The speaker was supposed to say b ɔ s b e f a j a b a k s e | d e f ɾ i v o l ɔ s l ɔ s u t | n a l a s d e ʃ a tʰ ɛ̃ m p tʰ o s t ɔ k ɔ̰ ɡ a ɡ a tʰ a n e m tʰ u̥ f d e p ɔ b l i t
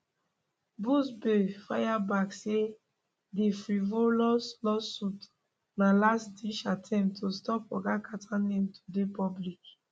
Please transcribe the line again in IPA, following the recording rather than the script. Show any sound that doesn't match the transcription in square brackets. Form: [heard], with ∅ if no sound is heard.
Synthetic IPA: b [u] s b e f a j a b a k s e | d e f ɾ i v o l ɔ s l ɔ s u t | n a l a s d [i] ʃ a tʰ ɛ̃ m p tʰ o s t ɔ [p] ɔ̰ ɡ a [k] a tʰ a n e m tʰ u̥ [∅] d e p ɔ b l i [k]